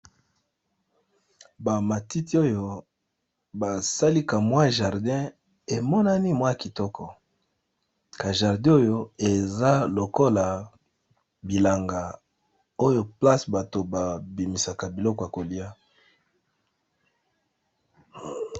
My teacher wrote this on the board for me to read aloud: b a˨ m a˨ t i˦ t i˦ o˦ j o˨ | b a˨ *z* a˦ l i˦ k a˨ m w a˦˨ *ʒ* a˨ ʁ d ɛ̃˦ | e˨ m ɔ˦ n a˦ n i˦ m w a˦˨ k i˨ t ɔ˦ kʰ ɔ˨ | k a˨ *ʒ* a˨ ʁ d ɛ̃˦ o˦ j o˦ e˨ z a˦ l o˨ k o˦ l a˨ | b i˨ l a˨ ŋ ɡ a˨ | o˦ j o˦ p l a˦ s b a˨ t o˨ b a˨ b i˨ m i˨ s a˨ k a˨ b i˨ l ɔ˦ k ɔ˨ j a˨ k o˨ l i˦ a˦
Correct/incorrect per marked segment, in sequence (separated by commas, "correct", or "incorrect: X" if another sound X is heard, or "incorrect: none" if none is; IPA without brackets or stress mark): incorrect: s, correct, correct